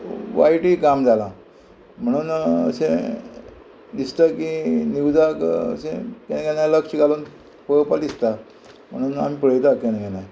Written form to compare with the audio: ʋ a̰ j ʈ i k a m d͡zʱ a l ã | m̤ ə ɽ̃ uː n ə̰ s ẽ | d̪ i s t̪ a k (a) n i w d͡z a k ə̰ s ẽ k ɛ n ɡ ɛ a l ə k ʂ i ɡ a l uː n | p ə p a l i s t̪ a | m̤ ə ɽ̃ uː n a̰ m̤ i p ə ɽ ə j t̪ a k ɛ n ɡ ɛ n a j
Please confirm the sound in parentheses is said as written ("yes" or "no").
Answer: no